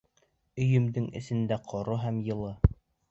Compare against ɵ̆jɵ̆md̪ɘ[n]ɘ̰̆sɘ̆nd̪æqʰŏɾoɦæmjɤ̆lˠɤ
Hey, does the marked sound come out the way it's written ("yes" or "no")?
no